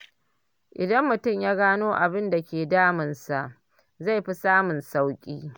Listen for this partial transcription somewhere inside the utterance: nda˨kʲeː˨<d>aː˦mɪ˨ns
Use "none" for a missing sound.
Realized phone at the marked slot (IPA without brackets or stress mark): d